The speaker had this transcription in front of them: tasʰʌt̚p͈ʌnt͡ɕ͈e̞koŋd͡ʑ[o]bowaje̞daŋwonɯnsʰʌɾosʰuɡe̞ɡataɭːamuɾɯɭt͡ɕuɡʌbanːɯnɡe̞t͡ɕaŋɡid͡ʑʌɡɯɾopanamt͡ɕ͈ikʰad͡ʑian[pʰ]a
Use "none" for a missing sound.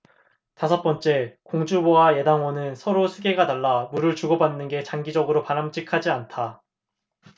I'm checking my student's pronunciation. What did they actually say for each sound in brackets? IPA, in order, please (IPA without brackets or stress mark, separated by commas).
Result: u, tʰ